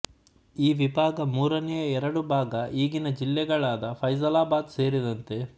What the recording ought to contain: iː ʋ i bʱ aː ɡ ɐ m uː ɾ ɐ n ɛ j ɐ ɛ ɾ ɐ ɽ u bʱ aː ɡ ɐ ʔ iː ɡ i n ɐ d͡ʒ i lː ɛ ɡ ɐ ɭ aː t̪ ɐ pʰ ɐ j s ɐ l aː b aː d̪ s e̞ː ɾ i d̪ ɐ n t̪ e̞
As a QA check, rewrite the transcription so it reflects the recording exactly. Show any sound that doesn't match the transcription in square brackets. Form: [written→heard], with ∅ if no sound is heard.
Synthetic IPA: iː ʋ i bʱ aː ɡ ɐ m uː ɾ ɐ n ɛ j ɐ ɛ ɾ ɐ ɽ u bʱ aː ɡ ɐ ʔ iː ɡ i n ɐ d͡ʒ i lː ɛ ɡ ɐ ɭ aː [t̪→d̪] ɐ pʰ ɐ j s ɐ l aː b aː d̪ s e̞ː ɾ i d̪ ɐ n t̪ e̞